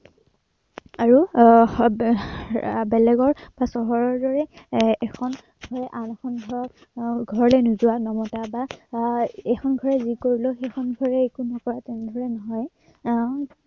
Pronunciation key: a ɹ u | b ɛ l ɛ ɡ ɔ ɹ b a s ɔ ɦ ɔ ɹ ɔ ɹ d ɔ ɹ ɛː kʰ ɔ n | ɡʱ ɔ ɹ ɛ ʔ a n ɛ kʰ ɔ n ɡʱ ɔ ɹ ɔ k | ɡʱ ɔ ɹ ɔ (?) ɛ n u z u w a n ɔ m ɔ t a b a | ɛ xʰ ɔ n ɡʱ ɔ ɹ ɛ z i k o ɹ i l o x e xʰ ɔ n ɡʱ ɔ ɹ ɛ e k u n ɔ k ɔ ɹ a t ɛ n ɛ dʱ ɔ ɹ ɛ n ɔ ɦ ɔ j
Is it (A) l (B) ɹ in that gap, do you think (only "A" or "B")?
A